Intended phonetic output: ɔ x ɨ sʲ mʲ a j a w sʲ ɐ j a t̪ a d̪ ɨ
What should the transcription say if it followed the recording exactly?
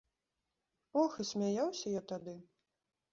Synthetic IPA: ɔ x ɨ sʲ mʲ a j a w sʲ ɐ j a t̪ a d̪ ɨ